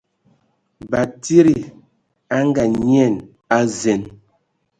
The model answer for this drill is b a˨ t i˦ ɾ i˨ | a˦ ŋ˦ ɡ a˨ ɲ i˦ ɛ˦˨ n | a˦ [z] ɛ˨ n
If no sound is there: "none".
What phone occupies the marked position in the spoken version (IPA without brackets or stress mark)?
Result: z